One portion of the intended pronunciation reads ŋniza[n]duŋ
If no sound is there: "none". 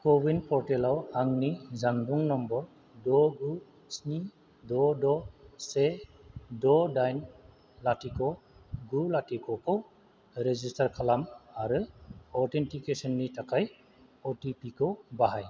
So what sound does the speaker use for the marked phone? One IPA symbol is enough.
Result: ŋ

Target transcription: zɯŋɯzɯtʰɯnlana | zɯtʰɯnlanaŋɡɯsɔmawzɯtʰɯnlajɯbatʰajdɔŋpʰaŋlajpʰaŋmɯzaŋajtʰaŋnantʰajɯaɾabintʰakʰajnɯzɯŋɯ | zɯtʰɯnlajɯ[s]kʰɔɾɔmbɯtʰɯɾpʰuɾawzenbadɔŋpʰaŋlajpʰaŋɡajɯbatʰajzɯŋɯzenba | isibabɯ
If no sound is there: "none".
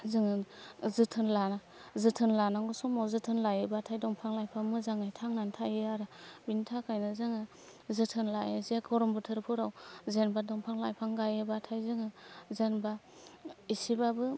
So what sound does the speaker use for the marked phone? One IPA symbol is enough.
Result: z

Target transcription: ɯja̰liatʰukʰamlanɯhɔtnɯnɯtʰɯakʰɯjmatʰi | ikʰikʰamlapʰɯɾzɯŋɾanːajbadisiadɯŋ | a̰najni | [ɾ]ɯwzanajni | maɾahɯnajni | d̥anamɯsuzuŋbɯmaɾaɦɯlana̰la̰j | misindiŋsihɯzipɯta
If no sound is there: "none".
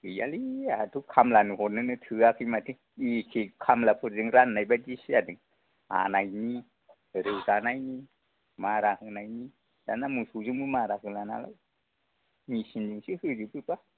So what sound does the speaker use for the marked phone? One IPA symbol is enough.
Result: ɾ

